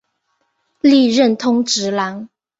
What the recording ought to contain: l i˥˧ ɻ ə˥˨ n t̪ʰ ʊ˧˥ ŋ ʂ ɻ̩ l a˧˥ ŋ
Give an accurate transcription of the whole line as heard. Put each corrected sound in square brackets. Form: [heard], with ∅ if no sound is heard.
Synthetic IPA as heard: l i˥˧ ɻ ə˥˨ n t̪ʰ [ʊ˥] ŋ [ʈ͡ʂ] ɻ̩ l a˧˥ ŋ